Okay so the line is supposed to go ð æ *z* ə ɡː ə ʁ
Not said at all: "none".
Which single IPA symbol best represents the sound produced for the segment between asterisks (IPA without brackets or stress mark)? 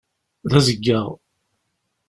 z